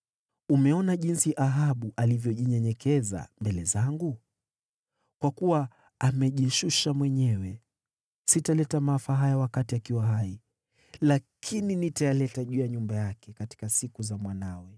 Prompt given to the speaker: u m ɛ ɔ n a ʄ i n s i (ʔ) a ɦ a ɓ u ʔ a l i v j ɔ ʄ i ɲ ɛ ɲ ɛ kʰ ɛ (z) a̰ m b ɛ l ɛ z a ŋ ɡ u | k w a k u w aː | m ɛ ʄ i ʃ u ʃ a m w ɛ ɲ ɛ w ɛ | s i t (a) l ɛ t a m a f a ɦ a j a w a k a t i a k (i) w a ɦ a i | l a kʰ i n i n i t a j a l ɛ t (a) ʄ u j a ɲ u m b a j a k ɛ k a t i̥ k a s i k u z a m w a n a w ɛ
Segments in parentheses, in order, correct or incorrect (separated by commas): correct, correct, correct, correct, correct